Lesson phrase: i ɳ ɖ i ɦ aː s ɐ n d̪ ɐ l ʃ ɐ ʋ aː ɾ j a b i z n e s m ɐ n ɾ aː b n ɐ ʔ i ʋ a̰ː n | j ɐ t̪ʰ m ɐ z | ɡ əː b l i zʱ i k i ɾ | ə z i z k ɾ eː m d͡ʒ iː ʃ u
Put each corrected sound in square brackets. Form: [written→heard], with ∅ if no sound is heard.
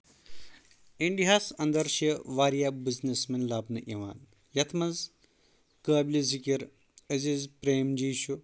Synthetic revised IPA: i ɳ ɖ i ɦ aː s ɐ n d̪ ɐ [l→ɾ] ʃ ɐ ʋ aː ɾ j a b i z n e s m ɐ n [ɾ→l] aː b n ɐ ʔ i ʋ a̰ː n | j ɐ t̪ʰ m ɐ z | [ɡ→k] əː b l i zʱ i k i ɾ | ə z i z [k→p] ɾ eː m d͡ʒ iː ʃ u